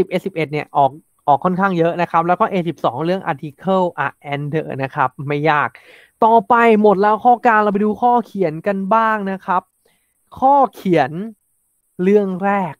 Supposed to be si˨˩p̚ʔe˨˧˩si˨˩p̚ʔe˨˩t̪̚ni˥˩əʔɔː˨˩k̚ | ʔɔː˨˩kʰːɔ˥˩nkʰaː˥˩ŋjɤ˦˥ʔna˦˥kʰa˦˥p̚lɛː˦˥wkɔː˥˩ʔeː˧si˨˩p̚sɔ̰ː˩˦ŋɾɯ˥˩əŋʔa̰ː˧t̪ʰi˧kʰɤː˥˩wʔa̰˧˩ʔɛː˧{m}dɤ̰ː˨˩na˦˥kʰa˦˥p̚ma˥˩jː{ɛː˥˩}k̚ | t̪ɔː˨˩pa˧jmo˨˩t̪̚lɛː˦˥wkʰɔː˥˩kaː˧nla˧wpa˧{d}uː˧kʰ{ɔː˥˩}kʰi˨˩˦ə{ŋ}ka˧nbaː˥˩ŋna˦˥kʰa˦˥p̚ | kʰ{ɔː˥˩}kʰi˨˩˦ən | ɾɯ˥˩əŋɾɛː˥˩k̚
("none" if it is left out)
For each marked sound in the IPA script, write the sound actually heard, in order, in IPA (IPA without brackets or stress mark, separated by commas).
n, aː˥˩, d, ɔː˥˩, n, ɔː˥˩